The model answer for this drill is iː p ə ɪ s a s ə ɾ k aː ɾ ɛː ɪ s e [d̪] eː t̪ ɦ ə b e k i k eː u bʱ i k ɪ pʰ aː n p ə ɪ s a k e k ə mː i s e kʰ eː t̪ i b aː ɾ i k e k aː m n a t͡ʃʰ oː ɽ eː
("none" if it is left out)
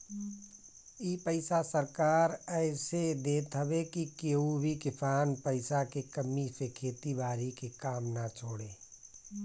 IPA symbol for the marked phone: d̪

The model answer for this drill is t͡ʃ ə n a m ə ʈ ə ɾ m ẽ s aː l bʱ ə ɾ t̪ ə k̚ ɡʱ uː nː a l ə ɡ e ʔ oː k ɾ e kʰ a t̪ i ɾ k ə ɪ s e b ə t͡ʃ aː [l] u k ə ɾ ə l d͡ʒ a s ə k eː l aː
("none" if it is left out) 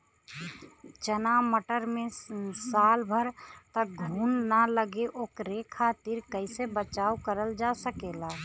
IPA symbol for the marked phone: none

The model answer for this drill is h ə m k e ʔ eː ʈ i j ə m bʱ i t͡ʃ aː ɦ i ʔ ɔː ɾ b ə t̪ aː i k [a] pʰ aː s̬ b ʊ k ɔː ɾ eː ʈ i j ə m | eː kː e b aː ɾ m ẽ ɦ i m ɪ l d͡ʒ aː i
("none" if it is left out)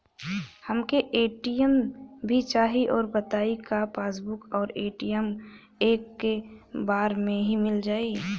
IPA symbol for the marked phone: a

